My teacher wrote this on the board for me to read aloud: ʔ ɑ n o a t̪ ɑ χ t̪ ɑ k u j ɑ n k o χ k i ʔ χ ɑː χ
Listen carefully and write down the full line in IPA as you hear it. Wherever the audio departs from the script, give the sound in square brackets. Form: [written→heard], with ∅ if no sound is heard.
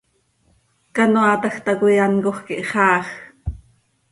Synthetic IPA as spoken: [ʔ→k] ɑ n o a t̪ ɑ [χ→x] t̪ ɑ k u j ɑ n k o χ k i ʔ χ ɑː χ